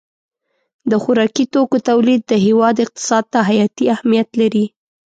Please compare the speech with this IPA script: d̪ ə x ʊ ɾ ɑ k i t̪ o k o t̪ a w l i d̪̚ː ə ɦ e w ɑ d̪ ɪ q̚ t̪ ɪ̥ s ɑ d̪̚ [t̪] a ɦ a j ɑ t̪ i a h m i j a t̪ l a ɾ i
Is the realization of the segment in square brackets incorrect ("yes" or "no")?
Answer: no